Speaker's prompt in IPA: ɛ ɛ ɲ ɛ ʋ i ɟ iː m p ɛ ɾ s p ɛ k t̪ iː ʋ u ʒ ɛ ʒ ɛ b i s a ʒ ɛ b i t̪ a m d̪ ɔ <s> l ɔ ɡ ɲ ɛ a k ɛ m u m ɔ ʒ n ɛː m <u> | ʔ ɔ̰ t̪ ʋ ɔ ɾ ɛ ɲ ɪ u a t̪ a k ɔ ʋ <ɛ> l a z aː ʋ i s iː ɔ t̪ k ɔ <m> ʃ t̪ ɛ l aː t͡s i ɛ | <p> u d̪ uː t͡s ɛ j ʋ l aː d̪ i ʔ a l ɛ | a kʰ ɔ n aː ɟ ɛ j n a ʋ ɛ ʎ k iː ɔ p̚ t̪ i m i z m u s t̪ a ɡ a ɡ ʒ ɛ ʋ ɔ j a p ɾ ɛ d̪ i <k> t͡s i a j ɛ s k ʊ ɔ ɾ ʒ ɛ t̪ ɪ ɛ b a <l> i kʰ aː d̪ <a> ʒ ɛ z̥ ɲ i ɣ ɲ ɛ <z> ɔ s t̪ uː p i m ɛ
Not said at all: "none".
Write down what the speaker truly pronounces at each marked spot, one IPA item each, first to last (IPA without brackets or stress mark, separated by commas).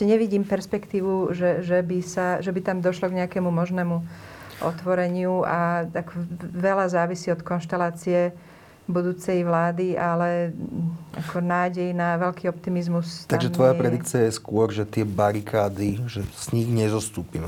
ʃ, u, ɛ, n, b, k, ɾ, i, z